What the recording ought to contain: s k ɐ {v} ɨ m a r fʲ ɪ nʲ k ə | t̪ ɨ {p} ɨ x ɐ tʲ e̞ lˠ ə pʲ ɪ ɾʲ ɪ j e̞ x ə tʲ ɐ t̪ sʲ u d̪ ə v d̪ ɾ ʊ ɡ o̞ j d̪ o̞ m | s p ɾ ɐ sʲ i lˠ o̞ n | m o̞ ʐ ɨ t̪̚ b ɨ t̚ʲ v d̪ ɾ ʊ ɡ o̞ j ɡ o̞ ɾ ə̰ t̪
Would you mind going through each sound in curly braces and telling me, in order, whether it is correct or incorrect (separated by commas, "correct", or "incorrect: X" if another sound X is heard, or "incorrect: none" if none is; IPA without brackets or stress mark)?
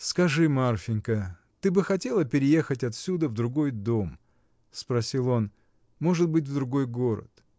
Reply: incorrect: ʐ, incorrect: b